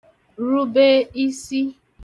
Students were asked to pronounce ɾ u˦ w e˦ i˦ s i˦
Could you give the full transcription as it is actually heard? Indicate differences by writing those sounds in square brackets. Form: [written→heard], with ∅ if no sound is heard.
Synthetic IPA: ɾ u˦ [w→b] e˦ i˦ s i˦